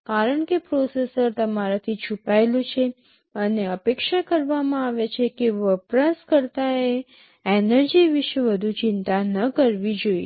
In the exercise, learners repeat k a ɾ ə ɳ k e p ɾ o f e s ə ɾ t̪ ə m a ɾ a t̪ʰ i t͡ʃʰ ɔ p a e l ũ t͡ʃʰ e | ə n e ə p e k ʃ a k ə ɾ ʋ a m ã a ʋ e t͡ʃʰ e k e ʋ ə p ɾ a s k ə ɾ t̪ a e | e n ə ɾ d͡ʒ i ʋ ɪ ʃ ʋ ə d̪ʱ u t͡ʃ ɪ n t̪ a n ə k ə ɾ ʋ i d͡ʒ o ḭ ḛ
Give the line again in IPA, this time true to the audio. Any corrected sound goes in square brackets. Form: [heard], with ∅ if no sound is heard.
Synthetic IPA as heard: k a ɾ ə ɳ k e p ɾ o [s] e s ə ɾ t̪ ə m a ɾ a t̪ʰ i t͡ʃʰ [u] p a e l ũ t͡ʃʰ e | ə n e ə p e k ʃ a k ə ɾ ʋ a m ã a ʋ e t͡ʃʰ e k e ʋ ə p ɾ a s k ə ɾ t̪ a e | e n ə ɾ d͡ʒ i ʋ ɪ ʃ ʋ ə d̪ʱ u t͡ʃ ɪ n t̪ a n ə k ə ɾ ʋ i d͡ʒ o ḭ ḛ

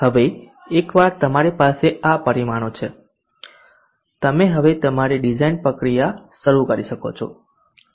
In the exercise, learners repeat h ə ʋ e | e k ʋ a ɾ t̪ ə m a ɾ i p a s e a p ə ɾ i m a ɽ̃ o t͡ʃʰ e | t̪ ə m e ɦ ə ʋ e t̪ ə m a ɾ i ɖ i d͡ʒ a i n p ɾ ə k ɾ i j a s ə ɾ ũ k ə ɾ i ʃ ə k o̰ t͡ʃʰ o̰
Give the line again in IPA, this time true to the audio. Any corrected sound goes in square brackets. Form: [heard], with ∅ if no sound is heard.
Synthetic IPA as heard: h ə ʋ e | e k ʋ a ɾ t̪ ə m a ɾ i p a s e a p ə ɾ i m a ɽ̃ o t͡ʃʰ e | t̪ ə m e ɦ ə ʋ e t̪ ə m a ɾ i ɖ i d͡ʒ a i n p ɾ ə k ɾ i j a [ʃ] ə ɾ [u] k ə ɾ i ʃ ə k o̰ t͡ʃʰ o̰

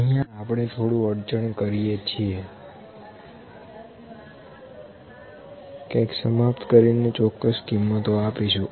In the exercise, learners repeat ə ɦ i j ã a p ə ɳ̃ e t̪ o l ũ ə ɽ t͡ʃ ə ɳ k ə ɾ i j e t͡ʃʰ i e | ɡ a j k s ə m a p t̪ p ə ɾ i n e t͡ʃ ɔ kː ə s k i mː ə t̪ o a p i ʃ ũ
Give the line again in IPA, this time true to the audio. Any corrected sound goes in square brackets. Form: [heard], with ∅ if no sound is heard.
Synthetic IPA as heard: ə ɦ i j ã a p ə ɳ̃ e [t̪ʰ] o [ɽ] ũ ə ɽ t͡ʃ ə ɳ k ə ɾ i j e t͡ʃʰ i e | [k] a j k s ə m a p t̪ [k] ə ɾ i n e t͡ʃ ɔ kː ə s k i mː ə t̪ o a p i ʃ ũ

